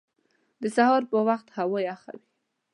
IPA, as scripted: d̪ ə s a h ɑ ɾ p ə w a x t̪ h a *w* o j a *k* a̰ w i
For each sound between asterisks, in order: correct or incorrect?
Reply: correct, incorrect

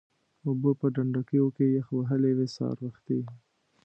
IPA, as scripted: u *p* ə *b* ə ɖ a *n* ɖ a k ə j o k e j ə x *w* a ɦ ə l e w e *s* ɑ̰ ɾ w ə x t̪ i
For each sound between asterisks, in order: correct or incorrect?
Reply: incorrect, incorrect, incorrect, correct, correct

